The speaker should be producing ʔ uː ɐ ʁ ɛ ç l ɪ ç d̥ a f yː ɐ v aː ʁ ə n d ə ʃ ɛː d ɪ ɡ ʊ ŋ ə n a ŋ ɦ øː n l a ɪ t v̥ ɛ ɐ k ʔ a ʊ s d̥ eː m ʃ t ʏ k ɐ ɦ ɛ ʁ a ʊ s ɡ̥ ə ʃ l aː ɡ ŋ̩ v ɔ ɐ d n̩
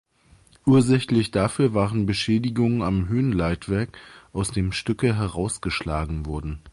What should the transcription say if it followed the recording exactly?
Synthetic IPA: ʔ uː ɐ z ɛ ç l ɪ ç d̥ a f yː ɐ v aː ʁ ə n b ə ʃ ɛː d ɪ ɡ ʊ ŋ ə n a m ɦ øː n l a ɪ t v̥ ɛ ɐ k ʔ a ʊ s d̥ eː m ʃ t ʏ k ə ɦ ɛ ʁ a ʊ s ɡ̥ ə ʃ l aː ɡ ŋ̩ v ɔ ɐ d n̩